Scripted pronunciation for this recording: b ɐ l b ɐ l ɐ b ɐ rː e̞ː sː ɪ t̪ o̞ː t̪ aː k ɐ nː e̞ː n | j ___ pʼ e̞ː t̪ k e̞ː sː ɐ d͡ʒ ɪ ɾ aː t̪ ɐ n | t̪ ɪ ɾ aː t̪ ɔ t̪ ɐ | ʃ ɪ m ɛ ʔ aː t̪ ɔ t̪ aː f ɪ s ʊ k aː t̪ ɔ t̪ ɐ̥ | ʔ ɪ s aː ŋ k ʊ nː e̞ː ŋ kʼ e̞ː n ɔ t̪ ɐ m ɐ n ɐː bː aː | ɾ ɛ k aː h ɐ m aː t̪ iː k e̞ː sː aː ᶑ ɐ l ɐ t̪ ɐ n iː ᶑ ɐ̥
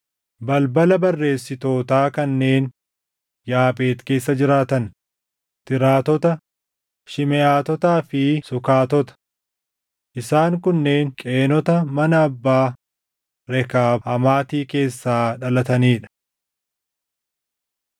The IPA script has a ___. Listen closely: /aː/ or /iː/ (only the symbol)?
aː